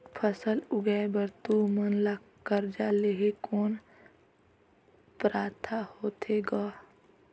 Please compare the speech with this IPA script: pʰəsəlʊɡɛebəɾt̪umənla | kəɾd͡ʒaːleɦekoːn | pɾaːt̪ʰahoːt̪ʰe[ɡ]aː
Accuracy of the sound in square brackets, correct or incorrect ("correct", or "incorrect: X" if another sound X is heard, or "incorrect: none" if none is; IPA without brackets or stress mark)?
correct